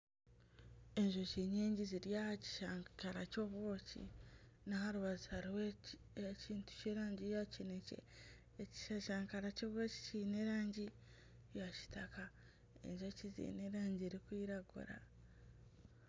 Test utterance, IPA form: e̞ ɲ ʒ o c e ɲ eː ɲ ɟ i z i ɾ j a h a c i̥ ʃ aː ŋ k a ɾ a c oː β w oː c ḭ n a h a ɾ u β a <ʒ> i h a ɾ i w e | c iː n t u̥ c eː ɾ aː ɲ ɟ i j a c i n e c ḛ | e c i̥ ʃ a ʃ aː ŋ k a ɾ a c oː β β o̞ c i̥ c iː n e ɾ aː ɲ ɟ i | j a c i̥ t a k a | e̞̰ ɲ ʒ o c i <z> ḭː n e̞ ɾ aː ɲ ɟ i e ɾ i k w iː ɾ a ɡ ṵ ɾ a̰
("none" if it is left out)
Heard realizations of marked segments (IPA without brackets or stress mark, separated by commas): z, z